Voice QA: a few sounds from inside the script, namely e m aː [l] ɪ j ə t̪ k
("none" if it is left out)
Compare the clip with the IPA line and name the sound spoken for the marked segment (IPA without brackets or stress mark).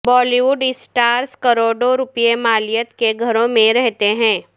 l